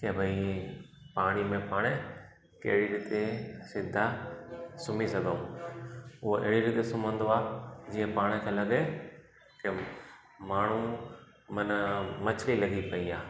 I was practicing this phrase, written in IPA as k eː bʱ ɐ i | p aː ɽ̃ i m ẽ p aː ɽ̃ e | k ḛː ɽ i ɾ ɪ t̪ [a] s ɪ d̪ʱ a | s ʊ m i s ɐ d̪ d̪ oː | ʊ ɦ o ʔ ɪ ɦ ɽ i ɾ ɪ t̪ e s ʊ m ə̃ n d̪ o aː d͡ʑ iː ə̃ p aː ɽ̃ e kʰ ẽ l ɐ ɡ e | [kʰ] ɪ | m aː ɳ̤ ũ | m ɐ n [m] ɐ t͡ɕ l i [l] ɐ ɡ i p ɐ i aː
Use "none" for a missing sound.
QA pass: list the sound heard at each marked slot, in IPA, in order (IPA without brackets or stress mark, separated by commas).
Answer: e, k, m, l